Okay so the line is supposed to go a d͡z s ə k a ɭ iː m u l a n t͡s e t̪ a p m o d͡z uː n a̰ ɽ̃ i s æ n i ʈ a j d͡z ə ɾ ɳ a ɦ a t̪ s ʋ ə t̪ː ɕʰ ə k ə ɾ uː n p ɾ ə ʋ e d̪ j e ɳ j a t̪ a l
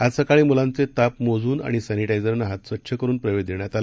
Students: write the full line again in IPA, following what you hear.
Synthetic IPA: a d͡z s ə k a ɭ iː m u l a n t͡s e t̪ a p m o d͡z uː n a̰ ɽ̃ i s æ n i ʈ a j d͡z ə ɾ n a ɦ a t̪ s ʋ ə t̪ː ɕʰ ə k ə ɾ uː n p ɾ ə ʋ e d̪ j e ɳ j a t̪ a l